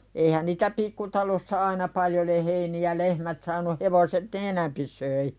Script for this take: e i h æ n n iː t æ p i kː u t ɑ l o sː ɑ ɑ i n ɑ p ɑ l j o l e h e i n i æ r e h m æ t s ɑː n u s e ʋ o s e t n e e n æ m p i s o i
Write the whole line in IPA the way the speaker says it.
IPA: e i h æ n n iː t æ p i kː u t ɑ l o sː ɑ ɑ i n ɑ p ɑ l j o l e h e i n i æ l e h m æ t s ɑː n u h e ʋ o s e t n e e n æ m p i s o i